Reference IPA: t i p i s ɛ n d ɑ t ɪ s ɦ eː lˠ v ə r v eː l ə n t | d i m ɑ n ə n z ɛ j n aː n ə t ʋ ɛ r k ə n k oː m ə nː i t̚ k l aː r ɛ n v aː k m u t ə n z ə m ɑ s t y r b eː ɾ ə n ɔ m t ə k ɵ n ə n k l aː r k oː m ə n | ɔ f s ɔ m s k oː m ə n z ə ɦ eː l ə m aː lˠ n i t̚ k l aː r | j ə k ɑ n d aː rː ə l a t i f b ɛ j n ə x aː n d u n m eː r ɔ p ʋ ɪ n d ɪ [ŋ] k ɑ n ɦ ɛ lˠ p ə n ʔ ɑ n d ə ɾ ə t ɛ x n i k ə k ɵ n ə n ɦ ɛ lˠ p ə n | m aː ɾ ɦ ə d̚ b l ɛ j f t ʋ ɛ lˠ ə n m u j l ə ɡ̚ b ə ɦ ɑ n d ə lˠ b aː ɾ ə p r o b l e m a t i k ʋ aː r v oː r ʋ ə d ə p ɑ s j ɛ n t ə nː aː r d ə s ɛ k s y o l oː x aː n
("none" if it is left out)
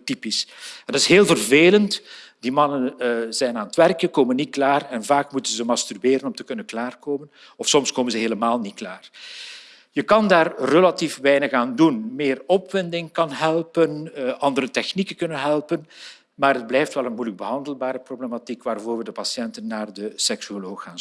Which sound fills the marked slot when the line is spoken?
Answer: ŋ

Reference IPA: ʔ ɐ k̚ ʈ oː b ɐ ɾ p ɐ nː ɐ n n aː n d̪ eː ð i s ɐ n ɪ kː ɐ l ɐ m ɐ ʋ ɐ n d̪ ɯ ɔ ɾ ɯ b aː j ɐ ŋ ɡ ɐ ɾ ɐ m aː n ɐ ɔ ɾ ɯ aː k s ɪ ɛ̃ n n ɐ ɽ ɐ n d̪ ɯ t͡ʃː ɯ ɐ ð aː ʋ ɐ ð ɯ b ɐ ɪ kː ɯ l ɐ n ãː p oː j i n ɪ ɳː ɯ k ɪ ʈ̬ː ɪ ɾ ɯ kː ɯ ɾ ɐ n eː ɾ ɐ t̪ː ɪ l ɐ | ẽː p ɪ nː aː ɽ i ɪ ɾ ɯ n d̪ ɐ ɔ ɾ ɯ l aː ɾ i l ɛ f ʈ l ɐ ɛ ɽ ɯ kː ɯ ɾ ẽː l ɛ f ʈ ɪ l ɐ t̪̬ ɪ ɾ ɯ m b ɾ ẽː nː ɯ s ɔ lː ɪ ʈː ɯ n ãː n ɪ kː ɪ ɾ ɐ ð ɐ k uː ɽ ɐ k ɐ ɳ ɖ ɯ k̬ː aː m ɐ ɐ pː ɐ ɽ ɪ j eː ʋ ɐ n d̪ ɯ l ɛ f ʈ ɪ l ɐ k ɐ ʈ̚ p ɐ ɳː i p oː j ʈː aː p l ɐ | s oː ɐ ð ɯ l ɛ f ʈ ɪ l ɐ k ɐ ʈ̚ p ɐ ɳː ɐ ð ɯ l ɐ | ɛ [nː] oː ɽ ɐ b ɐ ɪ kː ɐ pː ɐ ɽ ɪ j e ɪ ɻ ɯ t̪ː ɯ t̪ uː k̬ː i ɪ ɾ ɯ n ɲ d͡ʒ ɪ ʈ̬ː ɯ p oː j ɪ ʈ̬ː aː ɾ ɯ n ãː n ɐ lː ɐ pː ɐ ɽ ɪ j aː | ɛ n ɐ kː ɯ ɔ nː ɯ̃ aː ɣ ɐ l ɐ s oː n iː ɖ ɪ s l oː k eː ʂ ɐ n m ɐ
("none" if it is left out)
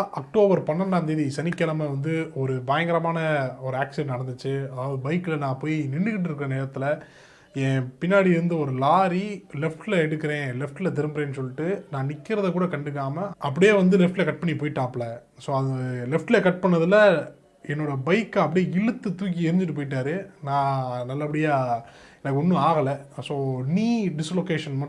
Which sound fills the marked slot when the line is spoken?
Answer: nː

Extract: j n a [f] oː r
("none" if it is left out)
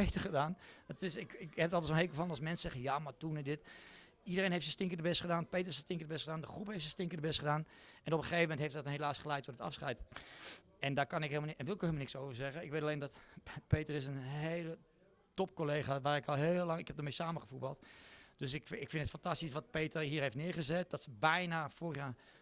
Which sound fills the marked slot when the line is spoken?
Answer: f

